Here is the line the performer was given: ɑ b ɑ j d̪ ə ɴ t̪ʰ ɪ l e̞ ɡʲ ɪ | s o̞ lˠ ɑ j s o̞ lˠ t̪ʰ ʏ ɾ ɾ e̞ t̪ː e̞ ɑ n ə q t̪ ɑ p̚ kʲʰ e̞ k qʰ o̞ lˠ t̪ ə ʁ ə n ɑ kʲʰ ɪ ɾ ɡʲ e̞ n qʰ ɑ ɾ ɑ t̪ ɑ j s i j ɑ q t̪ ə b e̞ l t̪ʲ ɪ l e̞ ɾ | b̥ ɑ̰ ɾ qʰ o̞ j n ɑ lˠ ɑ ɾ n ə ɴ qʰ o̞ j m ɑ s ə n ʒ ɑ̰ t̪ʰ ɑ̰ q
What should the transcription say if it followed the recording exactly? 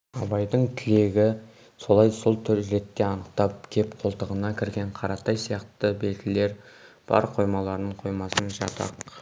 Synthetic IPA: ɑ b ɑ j d̪ ə ɴ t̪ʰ ɪ l e̞ ɡʲ ɪ | s o̞ lˠ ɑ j s o̞ lˠ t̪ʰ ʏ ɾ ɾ e̞ t̪ː e̞ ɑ n ə q t̪ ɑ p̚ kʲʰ e̞ p qʰ o̞ lˠ t̪ ə ʁ ə n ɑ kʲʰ ɪ ɾ ɡʲ e̞ ɴ qʰ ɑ ɾ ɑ t̪ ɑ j s i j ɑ q t̪ ə b e̞ l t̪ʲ ɪ l e̞ ɾ | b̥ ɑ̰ ɾ qʰ o̞ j m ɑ lˠ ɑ ɾ n ə ɴ qʰ o̞ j m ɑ s ə n ʒ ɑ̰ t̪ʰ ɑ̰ q